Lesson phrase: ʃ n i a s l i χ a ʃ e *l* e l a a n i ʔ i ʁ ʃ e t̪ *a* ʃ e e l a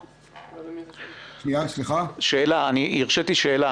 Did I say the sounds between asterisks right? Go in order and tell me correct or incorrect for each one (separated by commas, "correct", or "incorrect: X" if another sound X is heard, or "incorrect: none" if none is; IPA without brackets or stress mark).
incorrect: none, incorrect: i